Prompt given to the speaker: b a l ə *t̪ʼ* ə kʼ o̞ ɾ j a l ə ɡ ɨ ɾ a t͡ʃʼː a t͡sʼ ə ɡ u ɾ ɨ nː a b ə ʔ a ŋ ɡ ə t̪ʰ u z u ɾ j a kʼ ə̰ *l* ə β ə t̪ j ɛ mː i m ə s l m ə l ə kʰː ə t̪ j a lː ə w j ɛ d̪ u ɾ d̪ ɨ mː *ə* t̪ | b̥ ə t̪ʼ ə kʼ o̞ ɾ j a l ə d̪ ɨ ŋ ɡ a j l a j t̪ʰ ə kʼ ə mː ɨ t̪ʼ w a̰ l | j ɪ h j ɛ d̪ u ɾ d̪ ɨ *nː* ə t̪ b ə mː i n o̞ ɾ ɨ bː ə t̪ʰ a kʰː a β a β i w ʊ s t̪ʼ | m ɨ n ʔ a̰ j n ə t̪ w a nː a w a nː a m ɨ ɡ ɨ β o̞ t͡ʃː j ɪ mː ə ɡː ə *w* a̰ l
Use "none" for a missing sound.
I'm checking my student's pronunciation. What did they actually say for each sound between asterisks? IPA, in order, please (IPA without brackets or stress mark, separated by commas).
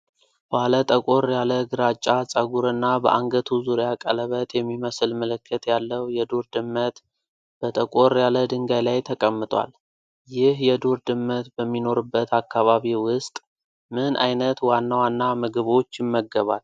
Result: t̪ʼ, l, ə, mː, β